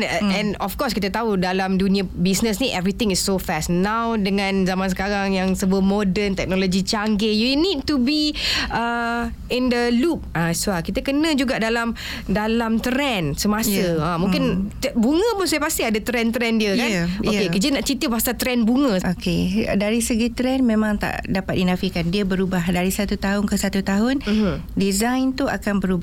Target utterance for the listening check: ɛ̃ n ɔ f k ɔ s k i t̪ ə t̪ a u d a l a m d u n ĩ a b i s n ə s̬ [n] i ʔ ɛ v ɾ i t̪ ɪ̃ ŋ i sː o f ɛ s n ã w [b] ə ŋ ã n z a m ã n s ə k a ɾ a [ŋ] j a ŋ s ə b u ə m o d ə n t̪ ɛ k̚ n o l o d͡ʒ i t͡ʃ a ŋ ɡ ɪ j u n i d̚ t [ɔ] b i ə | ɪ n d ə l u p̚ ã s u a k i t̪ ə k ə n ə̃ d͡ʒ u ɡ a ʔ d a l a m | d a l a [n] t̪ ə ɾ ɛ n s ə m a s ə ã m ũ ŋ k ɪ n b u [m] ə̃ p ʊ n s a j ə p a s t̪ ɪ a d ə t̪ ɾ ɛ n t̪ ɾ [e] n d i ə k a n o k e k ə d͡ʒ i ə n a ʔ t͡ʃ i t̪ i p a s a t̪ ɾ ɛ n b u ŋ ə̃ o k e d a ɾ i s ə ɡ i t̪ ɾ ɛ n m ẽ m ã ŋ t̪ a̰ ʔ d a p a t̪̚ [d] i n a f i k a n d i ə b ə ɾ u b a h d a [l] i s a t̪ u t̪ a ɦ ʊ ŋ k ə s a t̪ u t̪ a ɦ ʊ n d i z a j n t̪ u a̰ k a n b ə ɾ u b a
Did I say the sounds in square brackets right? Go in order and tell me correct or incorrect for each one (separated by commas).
correct, incorrect, correct, incorrect, incorrect, incorrect, incorrect, correct, incorrect